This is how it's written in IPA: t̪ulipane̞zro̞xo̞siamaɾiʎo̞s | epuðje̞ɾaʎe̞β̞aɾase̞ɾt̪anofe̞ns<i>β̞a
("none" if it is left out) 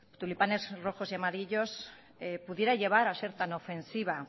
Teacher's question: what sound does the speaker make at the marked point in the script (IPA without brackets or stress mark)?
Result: i